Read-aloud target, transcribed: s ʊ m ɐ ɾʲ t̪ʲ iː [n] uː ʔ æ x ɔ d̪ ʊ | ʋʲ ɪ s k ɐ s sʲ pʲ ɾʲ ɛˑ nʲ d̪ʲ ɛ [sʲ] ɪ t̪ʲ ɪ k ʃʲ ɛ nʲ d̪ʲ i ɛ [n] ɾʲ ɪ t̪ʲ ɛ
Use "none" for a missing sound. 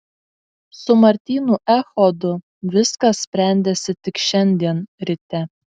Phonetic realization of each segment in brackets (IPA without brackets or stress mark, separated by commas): n, sʲ, n